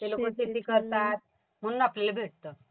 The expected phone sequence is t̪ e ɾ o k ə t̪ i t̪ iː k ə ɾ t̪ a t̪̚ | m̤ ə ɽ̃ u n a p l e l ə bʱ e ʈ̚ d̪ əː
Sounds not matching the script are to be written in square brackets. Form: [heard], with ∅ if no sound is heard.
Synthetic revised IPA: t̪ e [l] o k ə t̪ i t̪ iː k ə ɾ t̪ a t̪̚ | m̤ ə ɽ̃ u n a p l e l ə bʱ e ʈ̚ [t̪] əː